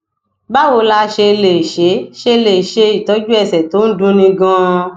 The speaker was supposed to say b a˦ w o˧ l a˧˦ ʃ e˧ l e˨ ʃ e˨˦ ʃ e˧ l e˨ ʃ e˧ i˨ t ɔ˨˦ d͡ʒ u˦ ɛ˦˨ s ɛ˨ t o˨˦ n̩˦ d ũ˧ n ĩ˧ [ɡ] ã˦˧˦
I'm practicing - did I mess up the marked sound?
no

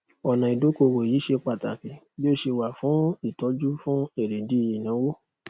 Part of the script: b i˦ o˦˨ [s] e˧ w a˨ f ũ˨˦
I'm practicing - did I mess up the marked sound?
yes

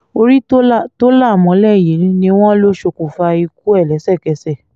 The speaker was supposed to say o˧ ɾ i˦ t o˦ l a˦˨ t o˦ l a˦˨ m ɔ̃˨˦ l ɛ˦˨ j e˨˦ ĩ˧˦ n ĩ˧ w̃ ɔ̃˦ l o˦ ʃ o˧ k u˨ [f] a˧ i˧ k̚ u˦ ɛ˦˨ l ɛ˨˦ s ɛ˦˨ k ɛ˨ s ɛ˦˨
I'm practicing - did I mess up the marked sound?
no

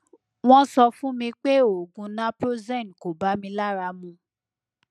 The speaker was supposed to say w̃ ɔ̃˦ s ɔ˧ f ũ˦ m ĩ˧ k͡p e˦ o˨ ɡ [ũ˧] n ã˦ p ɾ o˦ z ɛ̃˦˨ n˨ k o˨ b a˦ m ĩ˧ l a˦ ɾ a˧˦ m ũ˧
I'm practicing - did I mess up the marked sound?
no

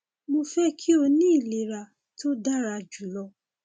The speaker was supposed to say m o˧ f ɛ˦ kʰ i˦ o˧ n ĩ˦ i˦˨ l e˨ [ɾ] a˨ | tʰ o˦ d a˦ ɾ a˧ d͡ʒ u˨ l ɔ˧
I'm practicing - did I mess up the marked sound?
no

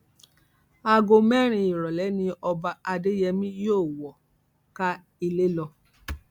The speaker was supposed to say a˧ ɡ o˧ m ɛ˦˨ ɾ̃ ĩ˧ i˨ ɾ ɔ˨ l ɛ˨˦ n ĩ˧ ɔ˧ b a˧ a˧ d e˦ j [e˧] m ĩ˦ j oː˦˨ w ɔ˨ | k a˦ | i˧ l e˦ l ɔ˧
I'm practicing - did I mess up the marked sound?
yes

